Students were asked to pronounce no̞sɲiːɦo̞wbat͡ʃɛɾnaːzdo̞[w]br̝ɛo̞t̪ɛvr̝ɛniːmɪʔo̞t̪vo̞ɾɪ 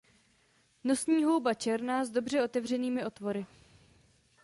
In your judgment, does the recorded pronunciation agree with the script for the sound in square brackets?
no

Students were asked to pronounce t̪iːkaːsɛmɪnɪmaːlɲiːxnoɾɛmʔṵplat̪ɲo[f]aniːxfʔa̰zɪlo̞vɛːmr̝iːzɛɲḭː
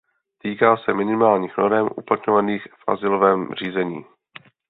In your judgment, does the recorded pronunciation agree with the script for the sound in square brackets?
no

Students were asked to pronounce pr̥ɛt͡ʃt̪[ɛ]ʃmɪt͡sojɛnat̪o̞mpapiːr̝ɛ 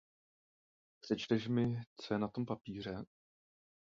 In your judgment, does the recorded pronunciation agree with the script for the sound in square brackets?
yes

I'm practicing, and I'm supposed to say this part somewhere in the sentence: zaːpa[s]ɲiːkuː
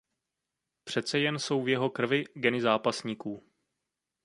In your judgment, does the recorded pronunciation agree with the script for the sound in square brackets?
yes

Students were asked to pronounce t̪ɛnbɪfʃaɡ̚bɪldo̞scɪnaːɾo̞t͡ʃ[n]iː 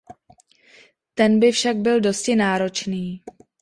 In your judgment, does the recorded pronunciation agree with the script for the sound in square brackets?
yes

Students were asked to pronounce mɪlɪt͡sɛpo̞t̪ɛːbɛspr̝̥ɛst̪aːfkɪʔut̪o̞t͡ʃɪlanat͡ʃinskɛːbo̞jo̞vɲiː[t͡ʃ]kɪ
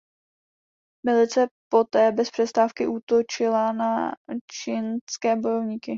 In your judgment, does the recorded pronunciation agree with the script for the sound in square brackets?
no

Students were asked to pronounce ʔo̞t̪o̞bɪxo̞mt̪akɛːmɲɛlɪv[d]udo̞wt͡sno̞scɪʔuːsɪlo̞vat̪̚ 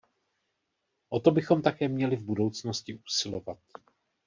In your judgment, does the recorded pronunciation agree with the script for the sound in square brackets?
no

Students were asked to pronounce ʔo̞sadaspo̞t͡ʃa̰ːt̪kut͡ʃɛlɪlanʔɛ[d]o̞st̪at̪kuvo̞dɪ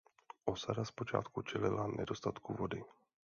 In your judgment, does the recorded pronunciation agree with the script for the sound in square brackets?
yes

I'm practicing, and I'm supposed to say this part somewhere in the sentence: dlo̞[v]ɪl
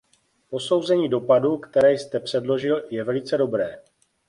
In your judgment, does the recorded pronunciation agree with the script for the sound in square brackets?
no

